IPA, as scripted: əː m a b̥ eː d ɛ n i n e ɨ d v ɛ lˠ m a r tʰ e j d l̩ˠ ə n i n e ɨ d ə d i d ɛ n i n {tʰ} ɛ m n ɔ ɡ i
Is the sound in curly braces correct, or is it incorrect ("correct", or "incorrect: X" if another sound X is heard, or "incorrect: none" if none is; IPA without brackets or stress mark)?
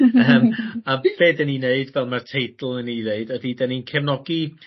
incorrect: kʰ